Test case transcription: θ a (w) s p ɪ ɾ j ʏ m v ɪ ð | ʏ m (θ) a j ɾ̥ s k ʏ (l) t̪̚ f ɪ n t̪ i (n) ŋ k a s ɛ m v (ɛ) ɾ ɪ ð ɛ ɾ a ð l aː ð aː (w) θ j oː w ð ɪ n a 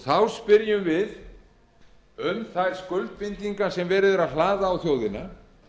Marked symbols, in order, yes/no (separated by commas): yes, yes, yes, no, no, yes